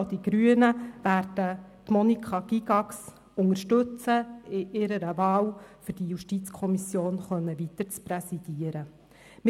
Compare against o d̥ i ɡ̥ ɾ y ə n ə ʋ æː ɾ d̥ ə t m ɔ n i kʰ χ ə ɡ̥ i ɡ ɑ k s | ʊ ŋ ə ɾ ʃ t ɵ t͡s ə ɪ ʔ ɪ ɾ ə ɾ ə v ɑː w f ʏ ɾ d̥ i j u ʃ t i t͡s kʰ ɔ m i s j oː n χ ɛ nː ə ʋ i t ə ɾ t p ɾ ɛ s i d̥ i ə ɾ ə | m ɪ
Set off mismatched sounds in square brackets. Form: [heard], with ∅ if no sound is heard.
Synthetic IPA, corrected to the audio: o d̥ i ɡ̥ ɾ y ə n ə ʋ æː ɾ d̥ ə t m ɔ n i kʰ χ [ɑ] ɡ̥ i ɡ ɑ k s | ʊ ŋ ə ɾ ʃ t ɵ t͡s ə ɪ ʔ ɪ ɾ ə ɾ ə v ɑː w f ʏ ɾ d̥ i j u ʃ t i t͡s kʰ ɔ m i s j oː n χ [œ] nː ə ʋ i t ə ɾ [t͡s] p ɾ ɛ s i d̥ i ə ɾ ə | m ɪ